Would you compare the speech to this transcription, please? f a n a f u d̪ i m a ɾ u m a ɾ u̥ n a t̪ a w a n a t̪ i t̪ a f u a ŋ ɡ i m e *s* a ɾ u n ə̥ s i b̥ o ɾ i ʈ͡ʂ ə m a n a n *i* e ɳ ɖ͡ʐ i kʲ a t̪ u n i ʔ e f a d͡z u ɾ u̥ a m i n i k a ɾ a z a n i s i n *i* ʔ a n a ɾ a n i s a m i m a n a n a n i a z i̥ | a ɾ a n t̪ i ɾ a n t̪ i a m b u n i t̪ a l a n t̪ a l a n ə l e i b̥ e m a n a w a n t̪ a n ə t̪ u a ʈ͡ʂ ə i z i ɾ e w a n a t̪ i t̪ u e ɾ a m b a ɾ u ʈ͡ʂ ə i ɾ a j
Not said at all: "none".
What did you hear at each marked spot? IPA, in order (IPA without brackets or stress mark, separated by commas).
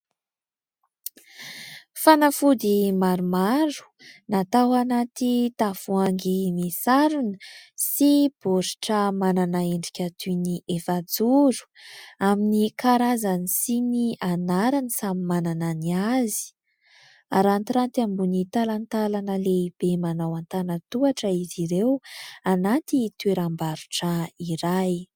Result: s, a, i